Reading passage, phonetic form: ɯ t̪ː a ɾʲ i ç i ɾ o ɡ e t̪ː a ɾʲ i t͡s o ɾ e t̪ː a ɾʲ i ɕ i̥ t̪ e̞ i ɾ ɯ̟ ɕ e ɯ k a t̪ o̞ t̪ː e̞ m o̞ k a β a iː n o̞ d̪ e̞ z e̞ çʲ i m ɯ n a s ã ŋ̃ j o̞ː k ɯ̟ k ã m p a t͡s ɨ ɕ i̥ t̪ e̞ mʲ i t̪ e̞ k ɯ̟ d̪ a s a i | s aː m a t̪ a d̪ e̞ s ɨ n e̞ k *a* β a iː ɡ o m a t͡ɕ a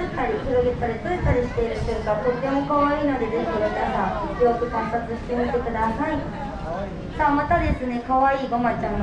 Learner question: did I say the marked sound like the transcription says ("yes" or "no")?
yes